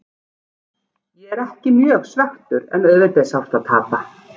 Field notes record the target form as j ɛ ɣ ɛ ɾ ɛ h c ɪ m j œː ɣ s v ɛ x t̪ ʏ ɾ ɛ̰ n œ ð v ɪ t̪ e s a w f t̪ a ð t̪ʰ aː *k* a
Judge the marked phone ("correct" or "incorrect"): incorrect